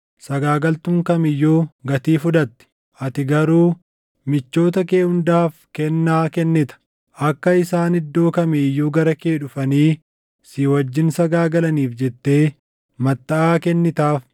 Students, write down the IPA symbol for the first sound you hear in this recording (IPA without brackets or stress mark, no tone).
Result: s